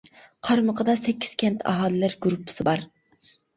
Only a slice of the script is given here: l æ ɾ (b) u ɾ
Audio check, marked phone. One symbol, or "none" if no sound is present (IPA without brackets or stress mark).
ɡ